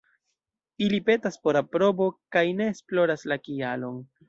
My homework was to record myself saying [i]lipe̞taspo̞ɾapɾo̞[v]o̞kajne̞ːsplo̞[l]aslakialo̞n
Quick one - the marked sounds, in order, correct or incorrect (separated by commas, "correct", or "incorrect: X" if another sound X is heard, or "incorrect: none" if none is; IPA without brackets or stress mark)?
correct, incorrect: b, incorrect: ɾ